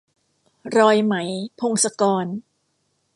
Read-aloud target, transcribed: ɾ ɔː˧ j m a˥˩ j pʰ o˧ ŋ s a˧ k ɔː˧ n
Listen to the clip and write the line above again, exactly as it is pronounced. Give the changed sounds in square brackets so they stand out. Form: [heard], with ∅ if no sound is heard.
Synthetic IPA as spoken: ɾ ɔː˧ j m [a˩˦] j pʰ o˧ ŋ s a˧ k ɔː˧ n